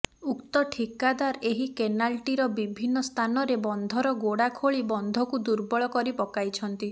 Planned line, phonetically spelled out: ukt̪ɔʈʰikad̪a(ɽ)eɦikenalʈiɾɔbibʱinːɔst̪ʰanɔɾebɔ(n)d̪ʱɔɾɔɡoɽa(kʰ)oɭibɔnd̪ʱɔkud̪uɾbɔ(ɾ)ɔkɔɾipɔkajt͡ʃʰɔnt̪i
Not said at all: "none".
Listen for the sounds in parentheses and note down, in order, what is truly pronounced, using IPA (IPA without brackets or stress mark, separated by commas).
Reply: ɾ, n, kʰ, ɭ